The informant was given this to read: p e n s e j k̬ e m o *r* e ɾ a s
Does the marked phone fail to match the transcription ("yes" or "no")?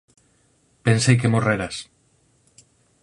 no